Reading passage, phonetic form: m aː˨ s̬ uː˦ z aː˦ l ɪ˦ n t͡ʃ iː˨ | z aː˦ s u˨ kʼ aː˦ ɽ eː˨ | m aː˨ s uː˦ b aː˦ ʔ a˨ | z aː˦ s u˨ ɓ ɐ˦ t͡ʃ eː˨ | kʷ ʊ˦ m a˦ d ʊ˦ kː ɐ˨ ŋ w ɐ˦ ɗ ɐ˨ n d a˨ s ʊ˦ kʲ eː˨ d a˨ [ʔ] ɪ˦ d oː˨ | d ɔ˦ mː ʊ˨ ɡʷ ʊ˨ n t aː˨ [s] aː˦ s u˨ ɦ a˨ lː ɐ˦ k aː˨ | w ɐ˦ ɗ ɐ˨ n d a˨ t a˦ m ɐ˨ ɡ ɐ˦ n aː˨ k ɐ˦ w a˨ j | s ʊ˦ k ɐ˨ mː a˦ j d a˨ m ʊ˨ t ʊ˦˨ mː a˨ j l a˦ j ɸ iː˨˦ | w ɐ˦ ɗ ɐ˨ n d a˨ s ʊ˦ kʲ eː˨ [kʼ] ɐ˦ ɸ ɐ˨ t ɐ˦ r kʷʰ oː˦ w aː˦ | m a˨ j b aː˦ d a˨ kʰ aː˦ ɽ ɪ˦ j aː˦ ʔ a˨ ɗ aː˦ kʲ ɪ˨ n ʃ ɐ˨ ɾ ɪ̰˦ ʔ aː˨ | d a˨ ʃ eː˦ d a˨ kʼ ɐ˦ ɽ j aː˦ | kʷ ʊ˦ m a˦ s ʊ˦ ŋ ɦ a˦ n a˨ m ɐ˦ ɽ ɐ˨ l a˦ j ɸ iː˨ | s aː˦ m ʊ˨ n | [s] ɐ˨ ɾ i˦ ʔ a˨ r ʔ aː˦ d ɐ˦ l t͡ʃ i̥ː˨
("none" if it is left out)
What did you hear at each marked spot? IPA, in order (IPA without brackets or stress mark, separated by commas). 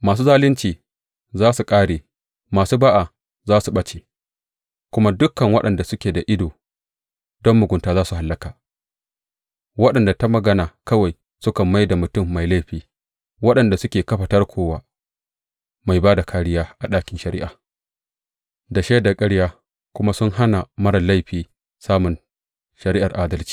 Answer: ʔ, z, k, ʃ